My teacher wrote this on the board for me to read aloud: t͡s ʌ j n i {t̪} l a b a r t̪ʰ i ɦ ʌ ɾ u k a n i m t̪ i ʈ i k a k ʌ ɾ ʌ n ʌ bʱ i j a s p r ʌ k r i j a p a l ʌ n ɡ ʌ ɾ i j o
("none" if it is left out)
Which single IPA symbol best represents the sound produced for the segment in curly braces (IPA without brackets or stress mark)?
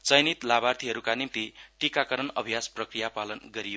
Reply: t̪